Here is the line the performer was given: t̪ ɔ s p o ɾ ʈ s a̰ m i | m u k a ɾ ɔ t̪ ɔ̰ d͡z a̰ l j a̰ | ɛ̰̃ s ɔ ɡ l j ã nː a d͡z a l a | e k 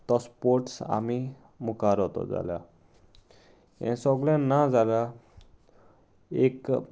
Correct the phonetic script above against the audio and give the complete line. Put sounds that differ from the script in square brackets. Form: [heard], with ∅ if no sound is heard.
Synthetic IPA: t̪ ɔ s p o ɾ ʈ s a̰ m i | m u k a ɾ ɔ t̪ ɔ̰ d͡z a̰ l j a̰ | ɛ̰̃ s ɔ ɡ l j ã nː a d͡z a l a | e k

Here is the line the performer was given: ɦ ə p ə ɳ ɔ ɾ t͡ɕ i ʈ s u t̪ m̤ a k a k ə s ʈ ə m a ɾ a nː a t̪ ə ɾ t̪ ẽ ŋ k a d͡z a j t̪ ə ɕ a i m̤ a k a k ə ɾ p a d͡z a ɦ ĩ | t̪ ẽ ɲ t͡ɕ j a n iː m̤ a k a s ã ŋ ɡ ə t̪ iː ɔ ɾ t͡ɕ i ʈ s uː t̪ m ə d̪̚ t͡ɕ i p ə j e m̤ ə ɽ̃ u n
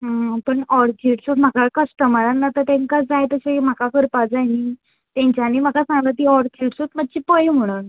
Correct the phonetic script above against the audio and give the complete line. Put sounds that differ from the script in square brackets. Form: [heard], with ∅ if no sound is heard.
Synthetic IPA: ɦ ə p ə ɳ ɔ ɾ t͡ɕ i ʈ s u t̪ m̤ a k a k ə s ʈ ə m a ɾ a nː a t̪ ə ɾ t̪ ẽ ŋ k a d͡z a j t̪ ə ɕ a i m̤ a k a k ə ɾ p a d͡z a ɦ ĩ | t̪ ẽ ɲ t͡ɕ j a n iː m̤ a k a s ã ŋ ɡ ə t̪ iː ɔ ɾ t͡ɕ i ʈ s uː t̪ m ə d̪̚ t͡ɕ i p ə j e m̤ ə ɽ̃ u n

